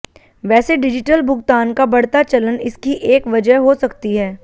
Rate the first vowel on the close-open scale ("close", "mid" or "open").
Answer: mid